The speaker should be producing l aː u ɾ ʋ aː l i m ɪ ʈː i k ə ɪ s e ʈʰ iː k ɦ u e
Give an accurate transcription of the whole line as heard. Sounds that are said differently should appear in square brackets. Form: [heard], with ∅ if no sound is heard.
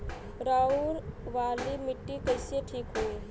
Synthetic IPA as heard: [ɾ] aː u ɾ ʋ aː l i m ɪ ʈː i k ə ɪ s e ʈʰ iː k ɦ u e